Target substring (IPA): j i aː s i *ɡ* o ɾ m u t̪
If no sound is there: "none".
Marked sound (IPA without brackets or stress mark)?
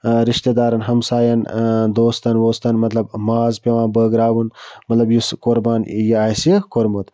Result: k